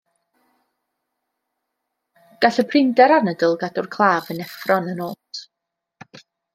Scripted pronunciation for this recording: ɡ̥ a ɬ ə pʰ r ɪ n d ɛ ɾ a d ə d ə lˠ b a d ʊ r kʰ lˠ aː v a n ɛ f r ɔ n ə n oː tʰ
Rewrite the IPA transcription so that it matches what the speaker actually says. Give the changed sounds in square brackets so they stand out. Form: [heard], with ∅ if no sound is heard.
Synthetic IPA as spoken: ɡ̥ a ɬ ə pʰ r ɪ n d ɛ ɾ a [n] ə d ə lˠ [ɡ] a d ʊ r kʰ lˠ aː v [ə] n ɛ f r ɔ n ə n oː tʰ